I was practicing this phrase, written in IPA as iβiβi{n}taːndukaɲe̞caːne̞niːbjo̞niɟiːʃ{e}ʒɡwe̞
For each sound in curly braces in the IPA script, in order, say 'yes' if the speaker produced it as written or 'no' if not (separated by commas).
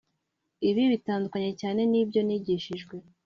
no, no